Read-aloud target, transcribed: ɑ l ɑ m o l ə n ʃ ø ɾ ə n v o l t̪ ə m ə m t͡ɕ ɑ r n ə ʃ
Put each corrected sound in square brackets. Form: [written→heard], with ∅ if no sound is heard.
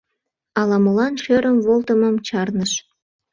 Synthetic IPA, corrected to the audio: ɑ l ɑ m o l [ə→ɑ] n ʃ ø ɾ ə [n→m] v o l t̪ ə m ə m t͡ɕ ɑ r n ə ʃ